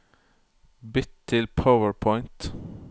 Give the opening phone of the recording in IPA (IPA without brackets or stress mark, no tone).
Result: b